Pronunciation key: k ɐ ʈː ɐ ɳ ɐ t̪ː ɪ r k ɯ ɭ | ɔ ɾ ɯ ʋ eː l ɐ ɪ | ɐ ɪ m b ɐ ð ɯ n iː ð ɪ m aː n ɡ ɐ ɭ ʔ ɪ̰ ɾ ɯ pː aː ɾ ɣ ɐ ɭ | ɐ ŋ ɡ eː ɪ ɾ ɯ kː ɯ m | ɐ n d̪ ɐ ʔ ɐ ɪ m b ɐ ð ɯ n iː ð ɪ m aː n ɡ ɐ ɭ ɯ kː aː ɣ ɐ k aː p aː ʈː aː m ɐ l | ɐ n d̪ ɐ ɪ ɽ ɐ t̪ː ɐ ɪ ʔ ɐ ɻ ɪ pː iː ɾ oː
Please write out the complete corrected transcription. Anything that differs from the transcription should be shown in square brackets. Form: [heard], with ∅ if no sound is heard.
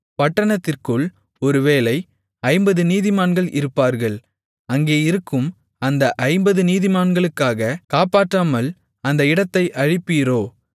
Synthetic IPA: [p] ɐ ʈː ɐ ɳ ɐ t̪ː ɪ r k ɯ ɭ | ɔ ɾ ɯ ʋ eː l ɐ ɪ | ɐ ɪ m b ɐ ð ɯ n iː ð ɪ m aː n ɡ ɐ ɭ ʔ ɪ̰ ɾ ɯ pː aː ɾ ɣ ɐ ɭ | ɐ ŋ ɡ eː ɪ ɾ ɯ kː ɯ m | ɐ n d̪ ɐ ʔ ɐ ɪ m b ɐ ð ɯ n iː ð ɪ m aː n ɡ ɐ ɭ ɯ kː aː ɣ ɐ k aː p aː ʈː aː m ɐ l | ɐ n d̪ ɐ ɪ ɽ ɐ t̪ː ɐ ɪ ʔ ɐ ɻ ɪ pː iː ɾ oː